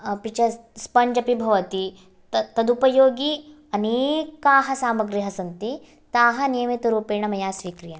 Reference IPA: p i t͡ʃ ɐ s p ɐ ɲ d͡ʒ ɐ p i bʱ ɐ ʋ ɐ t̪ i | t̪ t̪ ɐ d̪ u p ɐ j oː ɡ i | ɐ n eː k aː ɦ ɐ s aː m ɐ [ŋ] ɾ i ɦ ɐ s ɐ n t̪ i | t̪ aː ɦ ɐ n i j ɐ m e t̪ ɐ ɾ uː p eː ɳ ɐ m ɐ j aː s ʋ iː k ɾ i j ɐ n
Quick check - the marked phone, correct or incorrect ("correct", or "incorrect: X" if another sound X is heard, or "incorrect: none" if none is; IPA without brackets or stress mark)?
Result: incorrect: ɡ